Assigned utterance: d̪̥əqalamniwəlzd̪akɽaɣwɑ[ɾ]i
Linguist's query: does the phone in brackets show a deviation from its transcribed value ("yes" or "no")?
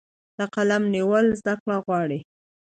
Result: yes